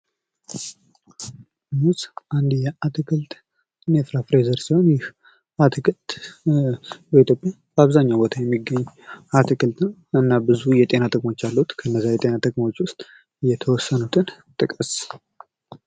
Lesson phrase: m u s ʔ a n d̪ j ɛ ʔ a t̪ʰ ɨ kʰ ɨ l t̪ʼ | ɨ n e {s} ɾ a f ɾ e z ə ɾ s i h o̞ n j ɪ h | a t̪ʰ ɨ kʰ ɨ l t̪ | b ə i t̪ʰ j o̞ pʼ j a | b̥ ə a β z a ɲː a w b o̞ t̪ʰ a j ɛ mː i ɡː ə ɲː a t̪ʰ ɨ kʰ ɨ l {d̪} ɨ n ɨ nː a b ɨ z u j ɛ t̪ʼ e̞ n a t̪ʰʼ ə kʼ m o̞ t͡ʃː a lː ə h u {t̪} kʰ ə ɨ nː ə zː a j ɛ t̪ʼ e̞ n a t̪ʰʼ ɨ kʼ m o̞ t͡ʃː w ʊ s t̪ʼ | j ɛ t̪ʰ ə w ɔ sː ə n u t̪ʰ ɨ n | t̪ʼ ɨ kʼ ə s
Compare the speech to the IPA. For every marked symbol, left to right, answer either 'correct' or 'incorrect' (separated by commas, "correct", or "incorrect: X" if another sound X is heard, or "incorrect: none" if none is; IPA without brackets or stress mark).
incorrect: f, incorrect: t̪, correct